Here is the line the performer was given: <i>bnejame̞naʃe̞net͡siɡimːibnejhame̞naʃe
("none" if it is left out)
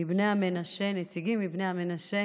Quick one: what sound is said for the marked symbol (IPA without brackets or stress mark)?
i